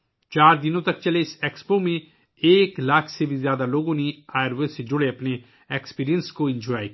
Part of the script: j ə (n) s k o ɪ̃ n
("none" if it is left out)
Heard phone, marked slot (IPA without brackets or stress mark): n